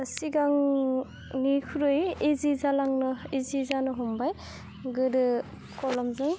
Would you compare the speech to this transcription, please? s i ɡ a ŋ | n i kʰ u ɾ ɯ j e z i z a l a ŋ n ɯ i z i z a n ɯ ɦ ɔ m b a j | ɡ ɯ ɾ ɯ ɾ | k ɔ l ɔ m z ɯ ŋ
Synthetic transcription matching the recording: s i ɡ a ŋ | n i kʰ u ɾ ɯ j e z i z a l a ŋ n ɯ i z i z a n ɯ ɦ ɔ m b a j | ɡ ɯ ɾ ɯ | k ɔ l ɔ m z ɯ ŋ